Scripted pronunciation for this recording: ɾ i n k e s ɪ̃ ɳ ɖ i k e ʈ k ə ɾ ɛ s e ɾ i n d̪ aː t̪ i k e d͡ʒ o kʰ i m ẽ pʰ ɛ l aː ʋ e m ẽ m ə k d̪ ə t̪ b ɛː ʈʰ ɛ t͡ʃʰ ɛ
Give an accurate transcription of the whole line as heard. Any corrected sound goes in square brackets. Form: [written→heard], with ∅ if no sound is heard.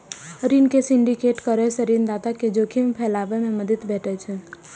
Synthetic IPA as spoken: ɾ i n k e s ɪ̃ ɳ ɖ i k e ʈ k ə ɾ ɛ s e ɾ i n d̪ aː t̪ [i→a] k e d͡ʒ o kʰ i m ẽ pʰ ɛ l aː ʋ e m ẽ m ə [k→∅] d̪ ə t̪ b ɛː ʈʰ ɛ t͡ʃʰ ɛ